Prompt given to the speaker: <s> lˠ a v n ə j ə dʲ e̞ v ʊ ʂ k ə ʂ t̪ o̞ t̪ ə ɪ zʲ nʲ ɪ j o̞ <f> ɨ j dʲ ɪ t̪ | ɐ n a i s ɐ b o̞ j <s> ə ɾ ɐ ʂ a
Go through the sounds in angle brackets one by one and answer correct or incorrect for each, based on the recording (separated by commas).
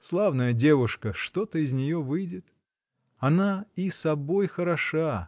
correct, incorrect, incorrect